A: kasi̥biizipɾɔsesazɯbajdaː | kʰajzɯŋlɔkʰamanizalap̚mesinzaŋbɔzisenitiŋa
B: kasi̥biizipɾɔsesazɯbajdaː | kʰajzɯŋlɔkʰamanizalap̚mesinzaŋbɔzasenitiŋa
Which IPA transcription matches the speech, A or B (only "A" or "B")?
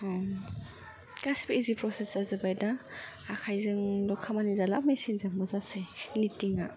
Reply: B